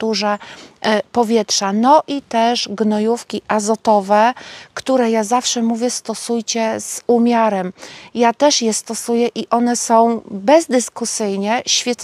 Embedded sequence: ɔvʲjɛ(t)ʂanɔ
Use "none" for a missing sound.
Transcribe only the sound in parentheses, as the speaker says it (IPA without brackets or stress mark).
t